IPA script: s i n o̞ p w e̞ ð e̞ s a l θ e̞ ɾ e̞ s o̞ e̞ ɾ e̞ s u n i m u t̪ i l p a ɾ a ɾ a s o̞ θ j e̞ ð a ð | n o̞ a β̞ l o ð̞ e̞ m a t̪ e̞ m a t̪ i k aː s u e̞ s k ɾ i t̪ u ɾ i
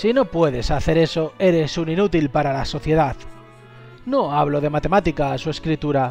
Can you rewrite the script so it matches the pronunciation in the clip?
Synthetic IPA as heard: s i n o̞ p w e̞ ð e̞ s a θ e̞ ɾ e̞ s o̞ e̞ ɾ e̞ s u n i n u t̪ i l p a ɾ a l a s o̞ θ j e̞ ð a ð | n o̞ a β̞ l o ð̞ e̞ m a t̪ e̞ m a t̪ i k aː s u e̞ s k ɾ i t̪ u ɾ a